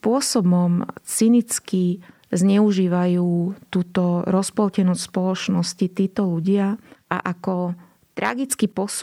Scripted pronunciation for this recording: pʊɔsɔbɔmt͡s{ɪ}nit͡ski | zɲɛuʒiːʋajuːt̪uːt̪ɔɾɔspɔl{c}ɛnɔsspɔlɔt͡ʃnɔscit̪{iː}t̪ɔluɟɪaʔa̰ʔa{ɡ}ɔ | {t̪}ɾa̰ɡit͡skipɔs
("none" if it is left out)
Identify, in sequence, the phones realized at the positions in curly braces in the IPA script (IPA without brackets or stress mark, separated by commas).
i, c, iː, k, t̪